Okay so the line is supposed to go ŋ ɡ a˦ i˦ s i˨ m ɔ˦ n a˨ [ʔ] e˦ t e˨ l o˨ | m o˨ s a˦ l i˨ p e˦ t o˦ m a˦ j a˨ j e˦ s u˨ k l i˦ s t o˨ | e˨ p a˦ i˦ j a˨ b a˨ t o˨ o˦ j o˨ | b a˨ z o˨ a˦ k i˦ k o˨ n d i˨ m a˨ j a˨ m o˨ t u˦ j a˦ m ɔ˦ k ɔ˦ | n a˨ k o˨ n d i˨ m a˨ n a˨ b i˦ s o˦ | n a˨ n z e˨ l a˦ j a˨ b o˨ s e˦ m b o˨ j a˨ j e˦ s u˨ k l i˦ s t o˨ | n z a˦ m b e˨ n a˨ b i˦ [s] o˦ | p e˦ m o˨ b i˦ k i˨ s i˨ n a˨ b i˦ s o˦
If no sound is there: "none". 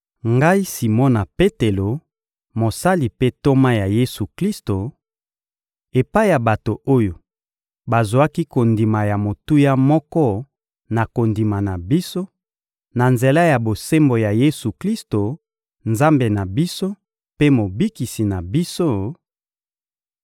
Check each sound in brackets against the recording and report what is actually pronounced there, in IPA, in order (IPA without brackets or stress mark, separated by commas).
p, s